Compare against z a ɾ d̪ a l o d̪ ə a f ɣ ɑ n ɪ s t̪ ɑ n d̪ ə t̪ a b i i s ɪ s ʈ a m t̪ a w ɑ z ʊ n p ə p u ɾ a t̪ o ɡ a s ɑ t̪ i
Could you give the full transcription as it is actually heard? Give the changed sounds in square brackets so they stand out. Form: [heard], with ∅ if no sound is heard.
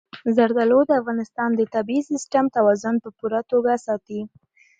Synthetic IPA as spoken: z a ɾ d̪ a l o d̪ ə a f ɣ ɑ n ɪ s t̪ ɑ n d̪ ə t̪ a b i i s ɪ s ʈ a m t̪ a w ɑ z ʊ n p ə p u ɾ a t̪ o ɡ a s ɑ t̪ i